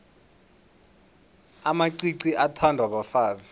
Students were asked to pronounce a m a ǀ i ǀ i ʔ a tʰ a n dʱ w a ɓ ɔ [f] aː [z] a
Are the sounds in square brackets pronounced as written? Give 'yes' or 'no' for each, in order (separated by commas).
yes, yes